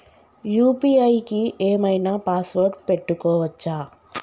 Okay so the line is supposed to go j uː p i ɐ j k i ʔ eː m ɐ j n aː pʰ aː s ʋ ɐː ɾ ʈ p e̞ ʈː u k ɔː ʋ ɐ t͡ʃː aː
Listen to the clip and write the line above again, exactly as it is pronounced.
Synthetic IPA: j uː p i ɐ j k i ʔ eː m ɐ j n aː p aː s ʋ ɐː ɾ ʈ p e̞ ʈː u k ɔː ʋ ɐ t͡ʃː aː